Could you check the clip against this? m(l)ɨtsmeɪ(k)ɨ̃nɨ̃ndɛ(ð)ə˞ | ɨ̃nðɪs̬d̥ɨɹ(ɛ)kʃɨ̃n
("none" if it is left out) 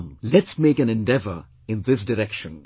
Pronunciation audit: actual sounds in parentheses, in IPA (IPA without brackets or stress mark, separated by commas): l, k, v, ɛ